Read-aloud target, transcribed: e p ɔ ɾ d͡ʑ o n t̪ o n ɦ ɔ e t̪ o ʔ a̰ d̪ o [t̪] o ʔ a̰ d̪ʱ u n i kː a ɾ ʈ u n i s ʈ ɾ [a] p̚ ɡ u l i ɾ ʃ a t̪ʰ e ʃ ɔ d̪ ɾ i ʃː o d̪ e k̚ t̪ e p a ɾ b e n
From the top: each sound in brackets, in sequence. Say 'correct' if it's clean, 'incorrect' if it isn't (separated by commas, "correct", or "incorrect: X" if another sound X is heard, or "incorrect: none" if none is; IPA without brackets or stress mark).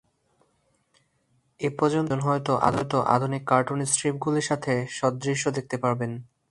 correct, incorrect: i